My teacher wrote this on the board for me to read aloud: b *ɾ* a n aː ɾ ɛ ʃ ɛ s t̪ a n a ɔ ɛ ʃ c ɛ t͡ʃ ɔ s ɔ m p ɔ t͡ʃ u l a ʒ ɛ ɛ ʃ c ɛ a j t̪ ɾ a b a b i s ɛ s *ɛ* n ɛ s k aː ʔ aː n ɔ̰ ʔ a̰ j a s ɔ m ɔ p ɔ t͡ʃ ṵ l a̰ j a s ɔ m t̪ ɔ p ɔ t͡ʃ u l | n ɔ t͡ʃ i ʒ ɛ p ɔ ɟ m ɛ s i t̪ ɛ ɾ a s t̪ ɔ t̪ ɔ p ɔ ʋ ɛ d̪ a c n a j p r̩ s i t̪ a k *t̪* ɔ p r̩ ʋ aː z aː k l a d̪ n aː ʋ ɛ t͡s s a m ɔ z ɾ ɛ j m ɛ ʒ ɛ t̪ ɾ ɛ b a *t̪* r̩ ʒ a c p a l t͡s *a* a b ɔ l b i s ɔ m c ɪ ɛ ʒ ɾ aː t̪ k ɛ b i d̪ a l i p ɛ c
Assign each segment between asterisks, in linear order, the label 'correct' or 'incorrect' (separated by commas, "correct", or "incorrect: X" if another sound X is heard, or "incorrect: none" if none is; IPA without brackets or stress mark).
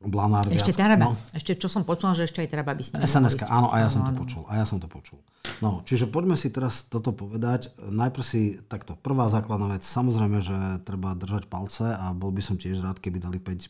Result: incorrect: l, correct, correct, incorrect: d̪, incorrect: ɛ